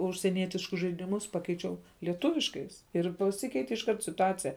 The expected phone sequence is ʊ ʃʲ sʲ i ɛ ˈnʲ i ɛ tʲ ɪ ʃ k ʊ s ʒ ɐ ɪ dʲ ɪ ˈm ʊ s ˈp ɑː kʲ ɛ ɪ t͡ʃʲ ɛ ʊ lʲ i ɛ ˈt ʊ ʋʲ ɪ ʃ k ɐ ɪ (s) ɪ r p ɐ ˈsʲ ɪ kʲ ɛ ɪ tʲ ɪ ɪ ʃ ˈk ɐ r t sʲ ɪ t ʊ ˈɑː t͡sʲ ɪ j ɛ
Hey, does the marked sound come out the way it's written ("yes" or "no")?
yes